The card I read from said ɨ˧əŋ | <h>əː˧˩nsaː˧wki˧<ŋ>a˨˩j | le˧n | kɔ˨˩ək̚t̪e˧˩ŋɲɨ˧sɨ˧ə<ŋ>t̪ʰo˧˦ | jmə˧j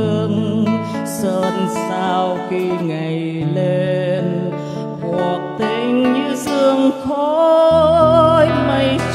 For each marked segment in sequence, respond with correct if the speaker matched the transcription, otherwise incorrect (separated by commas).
incorrect, correct, correct